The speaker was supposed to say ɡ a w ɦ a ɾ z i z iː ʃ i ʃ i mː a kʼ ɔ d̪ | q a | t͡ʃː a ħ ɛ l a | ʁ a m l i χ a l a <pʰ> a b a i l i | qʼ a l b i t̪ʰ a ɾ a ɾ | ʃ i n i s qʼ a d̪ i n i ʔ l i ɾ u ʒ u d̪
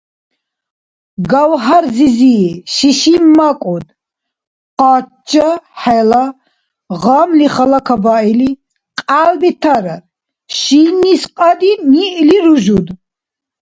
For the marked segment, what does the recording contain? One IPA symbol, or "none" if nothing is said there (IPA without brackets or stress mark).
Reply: kʰ